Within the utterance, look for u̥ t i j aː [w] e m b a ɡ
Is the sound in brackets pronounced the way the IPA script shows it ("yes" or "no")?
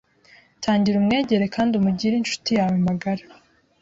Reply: yes